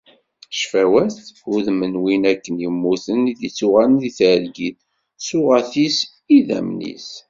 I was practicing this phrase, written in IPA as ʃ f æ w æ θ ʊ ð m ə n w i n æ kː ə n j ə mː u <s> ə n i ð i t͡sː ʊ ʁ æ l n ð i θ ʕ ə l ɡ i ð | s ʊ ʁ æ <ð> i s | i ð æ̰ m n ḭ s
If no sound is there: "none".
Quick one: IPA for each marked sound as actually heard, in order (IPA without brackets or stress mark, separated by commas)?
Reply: θ, θ